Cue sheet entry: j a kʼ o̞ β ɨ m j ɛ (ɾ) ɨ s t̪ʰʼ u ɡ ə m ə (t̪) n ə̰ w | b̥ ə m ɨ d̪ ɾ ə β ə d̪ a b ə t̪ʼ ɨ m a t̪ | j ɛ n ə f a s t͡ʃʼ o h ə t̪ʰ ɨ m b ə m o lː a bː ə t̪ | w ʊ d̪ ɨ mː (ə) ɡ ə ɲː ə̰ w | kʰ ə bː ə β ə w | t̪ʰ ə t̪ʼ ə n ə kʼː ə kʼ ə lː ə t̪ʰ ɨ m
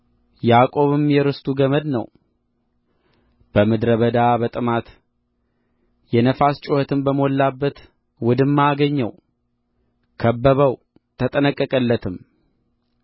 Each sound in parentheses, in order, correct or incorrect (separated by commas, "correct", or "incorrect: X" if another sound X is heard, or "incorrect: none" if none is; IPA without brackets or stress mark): correct, incorrect: d̪, incorrect: a